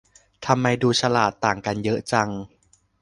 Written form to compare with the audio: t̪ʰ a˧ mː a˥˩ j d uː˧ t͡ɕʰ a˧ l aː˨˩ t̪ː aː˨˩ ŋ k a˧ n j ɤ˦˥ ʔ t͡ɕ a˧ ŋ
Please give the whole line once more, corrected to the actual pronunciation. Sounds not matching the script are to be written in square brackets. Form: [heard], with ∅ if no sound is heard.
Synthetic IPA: t̪ʰ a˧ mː [a˧] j d uː˧ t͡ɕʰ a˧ l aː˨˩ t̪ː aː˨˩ ŋ k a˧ n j ɤ˦˥ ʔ t͡ɕ a˧ ŋ